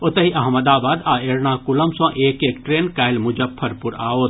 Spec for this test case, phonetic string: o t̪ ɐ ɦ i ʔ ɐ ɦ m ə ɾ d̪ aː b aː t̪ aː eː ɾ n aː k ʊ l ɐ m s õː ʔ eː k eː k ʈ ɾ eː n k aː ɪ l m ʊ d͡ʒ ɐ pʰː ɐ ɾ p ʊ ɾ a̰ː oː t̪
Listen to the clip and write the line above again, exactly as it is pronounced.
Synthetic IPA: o t̪ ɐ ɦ i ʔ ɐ ɦ m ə d̪ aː b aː d̪ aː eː ɾ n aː k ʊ l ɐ m s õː ʔ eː k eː k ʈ ɾ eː n k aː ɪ l m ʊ d͡ʒ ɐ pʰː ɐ ɾ p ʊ ɾ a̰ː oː t̪

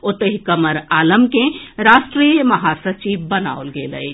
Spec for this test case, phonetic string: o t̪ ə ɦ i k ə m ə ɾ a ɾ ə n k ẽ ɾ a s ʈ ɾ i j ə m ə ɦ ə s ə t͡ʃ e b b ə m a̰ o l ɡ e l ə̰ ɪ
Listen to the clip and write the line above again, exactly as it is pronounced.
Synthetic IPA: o t̪ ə ɦ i k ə m ə ɾ a l ə m k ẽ ɾ a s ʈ ɾ i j ə m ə ɦ a s ə t͡ʃ i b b ə n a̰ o l ɡ e l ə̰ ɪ

